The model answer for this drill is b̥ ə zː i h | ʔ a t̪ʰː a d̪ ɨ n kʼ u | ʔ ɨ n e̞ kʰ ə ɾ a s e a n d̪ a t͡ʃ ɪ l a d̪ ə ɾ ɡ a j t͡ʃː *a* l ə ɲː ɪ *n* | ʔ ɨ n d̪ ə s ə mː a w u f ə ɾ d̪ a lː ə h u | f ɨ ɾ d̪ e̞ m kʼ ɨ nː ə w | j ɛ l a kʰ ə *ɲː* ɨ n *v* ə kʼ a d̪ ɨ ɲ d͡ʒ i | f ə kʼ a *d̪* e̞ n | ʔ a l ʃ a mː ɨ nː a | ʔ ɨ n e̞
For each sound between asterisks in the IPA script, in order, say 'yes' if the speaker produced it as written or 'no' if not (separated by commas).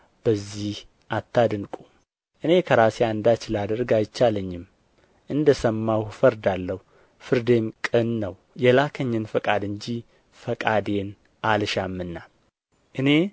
yes, no, yes, no, yes